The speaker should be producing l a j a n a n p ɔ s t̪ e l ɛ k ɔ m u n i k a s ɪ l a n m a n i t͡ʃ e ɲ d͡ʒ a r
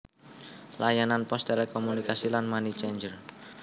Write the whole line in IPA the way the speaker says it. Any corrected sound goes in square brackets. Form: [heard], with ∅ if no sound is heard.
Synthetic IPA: l a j a n a n p ɔ s t̪ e l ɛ k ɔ m u n i k a s [i] l a n m a n i t͡ʃ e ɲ d͡ʒ [ə] r